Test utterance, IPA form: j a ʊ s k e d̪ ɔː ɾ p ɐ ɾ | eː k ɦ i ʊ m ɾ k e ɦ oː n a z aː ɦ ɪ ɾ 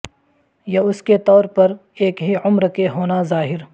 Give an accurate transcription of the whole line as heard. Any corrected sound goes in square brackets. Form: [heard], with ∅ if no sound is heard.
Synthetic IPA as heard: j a ʊ s k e [t̪] ɔː ɾ p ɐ ɾ | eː k ɦ i ʊ m ɾ k e ɦ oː n a z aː ɦ ɪ ɾ